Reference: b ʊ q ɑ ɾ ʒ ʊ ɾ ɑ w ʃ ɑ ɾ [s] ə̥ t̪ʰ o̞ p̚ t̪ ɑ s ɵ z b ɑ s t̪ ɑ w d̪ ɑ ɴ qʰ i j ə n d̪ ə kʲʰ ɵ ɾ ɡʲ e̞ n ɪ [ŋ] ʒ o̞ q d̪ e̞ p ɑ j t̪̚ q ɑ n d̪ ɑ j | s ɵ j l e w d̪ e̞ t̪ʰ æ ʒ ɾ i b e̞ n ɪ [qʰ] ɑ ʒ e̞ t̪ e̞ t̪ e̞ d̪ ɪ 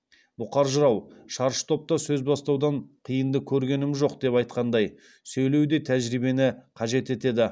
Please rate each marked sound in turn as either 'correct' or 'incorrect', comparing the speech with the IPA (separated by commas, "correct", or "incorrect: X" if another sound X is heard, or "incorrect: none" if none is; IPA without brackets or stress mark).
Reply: incorrect: ʃ, incorrect: m, correct